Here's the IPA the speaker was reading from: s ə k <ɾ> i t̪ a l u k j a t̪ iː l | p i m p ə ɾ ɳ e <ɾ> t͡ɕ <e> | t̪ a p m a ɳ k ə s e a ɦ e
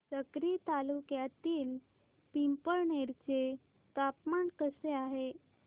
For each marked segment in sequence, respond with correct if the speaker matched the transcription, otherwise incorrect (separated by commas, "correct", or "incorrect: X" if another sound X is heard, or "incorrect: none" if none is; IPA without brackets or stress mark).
correct, correct, correct